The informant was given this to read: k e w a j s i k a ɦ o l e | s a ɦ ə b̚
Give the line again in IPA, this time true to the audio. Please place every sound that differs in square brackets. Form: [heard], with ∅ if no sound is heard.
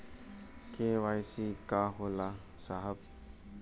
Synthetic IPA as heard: k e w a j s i k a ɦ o l [a] | s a ɦ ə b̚